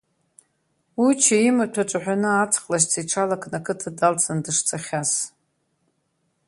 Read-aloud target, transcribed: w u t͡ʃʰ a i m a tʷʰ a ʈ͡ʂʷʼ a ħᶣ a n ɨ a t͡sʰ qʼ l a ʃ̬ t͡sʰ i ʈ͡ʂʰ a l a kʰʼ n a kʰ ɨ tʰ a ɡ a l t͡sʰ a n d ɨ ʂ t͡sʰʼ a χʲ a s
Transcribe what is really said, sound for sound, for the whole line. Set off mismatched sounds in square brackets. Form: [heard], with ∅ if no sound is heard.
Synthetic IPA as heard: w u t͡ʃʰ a i m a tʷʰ a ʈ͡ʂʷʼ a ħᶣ a n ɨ a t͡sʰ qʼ l a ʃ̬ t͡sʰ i ʈ͡ʂʰ a l a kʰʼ n a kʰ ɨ tʰ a [d] a l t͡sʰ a n d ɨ ʂ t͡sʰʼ a χʲ a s